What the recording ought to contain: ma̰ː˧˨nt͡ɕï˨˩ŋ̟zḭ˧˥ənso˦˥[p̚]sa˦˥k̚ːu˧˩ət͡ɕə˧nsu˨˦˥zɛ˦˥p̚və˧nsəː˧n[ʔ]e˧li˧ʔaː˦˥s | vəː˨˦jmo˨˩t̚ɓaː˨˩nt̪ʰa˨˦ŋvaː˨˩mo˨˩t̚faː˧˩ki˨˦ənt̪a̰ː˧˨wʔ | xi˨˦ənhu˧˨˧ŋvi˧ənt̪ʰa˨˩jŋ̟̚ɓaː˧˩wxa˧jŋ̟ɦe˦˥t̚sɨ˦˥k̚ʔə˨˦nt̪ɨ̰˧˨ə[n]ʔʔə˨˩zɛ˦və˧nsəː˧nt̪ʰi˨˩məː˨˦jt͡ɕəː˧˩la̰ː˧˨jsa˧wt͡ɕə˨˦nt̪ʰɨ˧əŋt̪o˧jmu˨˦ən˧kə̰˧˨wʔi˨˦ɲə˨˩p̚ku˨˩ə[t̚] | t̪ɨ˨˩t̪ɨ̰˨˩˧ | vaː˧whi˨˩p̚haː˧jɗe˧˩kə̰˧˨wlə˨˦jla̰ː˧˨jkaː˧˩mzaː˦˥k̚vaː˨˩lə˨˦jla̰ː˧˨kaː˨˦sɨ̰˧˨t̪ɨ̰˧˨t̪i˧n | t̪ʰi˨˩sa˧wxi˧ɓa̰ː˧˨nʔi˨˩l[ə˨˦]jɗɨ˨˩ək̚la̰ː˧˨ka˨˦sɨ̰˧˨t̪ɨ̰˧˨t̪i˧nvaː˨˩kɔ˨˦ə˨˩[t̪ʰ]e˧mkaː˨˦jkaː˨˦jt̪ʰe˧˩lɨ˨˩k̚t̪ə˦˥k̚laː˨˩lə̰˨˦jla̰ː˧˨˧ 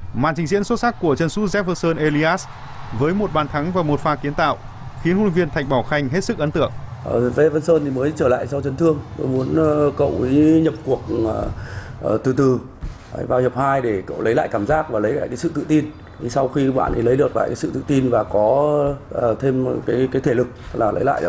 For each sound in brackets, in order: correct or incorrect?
incorrect: t̚, correct, incorrect: ŋ, incorrect: k̚, correct, correct

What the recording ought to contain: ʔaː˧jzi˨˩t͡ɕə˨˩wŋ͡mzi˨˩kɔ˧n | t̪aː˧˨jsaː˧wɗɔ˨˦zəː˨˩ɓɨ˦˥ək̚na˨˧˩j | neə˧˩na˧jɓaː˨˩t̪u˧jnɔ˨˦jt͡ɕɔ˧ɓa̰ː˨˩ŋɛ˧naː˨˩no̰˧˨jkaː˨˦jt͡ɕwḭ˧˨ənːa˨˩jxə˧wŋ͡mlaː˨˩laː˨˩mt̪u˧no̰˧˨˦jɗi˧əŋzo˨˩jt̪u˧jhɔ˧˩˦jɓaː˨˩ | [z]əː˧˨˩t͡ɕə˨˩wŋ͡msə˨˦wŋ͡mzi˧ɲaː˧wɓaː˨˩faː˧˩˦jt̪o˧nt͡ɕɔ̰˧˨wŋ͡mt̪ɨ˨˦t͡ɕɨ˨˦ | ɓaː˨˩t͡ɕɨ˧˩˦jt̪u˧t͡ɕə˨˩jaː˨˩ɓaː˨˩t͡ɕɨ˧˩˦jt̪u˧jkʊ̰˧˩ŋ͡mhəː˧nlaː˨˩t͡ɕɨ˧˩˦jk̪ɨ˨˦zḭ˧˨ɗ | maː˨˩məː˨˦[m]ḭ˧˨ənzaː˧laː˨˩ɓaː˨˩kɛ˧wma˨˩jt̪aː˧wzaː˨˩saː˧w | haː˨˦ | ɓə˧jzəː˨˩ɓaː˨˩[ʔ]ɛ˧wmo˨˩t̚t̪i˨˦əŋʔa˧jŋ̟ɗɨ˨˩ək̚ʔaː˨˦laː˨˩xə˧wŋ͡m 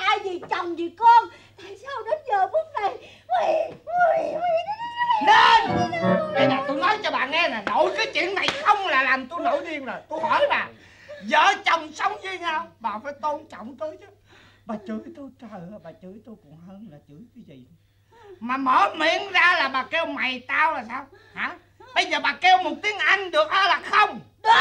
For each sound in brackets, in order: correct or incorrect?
correct, correct, incorrect: k

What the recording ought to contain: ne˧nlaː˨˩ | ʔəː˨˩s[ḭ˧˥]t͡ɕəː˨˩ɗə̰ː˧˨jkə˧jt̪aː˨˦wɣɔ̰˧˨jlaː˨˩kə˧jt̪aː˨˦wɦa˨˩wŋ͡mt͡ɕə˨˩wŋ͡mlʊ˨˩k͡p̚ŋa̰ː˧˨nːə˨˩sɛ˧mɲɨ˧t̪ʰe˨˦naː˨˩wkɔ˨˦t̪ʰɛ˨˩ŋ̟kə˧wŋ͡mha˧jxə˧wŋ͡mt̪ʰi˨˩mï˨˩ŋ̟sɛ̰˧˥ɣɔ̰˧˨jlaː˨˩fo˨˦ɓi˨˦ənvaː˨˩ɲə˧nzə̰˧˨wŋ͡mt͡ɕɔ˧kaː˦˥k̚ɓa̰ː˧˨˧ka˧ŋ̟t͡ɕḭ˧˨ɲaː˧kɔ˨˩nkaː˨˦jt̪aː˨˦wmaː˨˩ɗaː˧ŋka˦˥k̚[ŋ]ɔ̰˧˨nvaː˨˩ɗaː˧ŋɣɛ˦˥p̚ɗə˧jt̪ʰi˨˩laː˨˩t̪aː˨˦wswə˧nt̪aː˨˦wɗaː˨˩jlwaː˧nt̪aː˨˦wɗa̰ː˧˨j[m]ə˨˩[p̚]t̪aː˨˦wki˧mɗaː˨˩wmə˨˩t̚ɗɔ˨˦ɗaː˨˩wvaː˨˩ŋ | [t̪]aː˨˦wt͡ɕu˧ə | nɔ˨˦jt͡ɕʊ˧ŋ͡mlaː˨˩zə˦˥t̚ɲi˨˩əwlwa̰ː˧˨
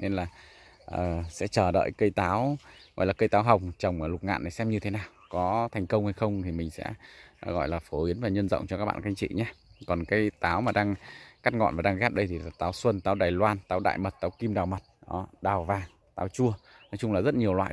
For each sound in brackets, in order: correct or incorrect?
incorrect: ɛ̰˧˥, correct, correct, incorrect: t̚, correct

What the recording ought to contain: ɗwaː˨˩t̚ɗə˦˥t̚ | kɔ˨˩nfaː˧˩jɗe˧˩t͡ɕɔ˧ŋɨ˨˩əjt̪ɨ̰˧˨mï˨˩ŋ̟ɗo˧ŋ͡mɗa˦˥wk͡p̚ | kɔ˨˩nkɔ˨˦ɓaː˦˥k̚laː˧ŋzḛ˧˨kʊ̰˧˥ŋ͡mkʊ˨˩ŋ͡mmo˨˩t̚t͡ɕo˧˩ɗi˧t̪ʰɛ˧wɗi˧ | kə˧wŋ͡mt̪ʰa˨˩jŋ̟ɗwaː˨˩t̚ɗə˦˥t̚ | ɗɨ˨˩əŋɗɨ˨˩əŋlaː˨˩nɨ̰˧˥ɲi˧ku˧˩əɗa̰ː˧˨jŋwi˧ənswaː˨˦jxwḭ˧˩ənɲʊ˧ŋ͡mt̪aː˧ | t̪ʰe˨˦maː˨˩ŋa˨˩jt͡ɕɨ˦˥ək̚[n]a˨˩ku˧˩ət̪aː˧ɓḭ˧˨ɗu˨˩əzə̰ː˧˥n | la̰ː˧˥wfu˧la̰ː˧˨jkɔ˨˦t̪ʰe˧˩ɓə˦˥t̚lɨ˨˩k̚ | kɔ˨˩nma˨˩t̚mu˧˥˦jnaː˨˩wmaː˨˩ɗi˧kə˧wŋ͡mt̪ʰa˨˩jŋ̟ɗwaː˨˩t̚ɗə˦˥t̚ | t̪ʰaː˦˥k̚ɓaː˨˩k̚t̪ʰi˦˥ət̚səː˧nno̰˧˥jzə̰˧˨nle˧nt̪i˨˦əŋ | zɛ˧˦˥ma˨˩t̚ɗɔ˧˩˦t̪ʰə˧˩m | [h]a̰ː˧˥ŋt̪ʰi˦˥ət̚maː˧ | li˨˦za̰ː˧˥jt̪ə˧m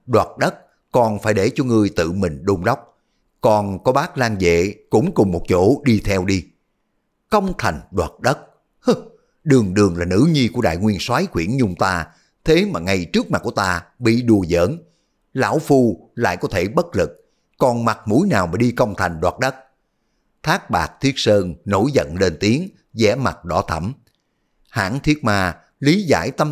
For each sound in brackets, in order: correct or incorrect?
incorrect: m, correct

